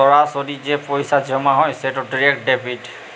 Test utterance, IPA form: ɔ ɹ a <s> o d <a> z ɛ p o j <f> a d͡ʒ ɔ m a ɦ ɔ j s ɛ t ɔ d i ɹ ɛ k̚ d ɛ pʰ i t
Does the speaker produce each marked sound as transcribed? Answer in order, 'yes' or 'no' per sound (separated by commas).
yes, no, no